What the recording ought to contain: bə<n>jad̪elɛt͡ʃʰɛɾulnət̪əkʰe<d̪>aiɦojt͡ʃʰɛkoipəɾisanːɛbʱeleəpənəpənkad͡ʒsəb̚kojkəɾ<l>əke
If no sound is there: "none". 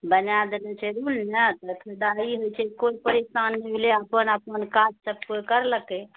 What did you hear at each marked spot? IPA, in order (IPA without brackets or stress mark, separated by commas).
n, d̪, l